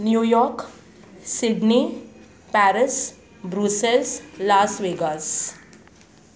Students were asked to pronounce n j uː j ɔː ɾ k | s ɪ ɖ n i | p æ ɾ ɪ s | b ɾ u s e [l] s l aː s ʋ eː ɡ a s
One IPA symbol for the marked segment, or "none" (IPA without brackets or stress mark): l